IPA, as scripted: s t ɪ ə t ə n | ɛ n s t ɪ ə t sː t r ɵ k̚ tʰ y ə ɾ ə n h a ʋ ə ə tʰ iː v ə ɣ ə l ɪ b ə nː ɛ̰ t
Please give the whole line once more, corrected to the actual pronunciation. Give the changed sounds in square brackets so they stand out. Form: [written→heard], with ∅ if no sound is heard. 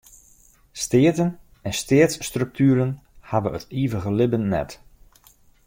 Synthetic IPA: s t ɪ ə t ə n | ɛ n s t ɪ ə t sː t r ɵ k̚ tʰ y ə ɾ ə n h a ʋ ə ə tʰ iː v ə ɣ ə l ɪ b ə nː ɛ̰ t